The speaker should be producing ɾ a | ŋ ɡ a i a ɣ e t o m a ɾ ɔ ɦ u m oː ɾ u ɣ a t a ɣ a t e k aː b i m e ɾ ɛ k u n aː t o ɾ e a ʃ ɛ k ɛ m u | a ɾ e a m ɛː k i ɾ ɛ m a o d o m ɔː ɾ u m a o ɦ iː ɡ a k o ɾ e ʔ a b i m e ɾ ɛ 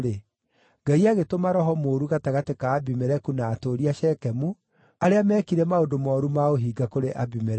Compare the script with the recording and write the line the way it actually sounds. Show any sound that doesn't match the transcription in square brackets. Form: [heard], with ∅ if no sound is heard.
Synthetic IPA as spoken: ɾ [e] | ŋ ɡ a i a ɣ e t o m a ɾ ɔ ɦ [ɔ] m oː ɾ u ɣ a t a ɣ a t e k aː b i m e ɾ ɛ k u n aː t o ɾ [i] a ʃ ɛ k ɛ m u | a ɾ e a m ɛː k i ɾ ɛ m a o d o m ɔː ɾ u m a o ɦ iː ɡ a k o ɾ e ʔ a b i m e ɾ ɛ